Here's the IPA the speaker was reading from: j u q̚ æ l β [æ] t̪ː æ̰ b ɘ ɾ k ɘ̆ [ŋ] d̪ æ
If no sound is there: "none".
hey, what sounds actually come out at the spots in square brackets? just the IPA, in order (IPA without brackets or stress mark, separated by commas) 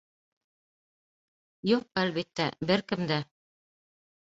i, m